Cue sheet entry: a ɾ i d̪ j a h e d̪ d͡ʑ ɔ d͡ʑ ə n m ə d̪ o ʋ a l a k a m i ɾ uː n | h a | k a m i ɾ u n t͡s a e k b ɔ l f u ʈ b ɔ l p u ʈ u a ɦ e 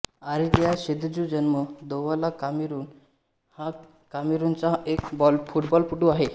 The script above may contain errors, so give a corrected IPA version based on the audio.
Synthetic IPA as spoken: a ɾ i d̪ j a ɕ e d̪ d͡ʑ u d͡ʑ ə n m ə d̪ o ʋ a l a k a m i ɾ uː n | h a | k a m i ɾ u n t͡s a e k b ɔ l f u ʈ b ɔ l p u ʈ u a ɦ e